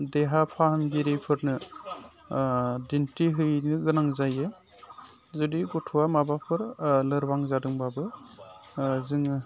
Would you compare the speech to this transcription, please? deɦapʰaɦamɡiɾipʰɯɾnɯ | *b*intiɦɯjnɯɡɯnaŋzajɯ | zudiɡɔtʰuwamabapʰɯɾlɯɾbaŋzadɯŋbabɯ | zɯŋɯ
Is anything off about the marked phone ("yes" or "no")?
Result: yes